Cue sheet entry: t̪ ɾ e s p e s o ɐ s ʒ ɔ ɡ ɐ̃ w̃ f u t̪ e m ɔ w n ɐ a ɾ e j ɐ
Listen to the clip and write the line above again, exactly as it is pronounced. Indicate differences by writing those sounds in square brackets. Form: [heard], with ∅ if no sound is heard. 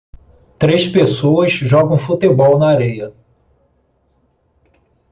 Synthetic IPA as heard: t̪ ɾ e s p e s o ɐ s ʒ ɔ ɡ ɐ̃ w̃ f u t̪ e [b] ɔ w n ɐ a ɾ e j ɐ